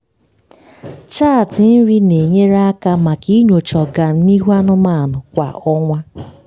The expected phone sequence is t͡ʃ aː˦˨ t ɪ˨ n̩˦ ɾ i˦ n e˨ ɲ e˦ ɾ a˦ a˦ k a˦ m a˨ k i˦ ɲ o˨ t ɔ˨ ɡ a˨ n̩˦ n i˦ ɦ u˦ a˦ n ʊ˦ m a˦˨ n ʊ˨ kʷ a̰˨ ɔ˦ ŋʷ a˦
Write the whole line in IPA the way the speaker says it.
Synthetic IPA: t͡ʃ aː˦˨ t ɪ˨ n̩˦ ɾ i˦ n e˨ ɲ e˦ ɾ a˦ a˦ k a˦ m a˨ k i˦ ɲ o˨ t͡ʃ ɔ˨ ɡ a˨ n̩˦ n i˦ ɦ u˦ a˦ n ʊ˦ m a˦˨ n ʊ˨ kʷ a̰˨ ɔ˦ ŋʷ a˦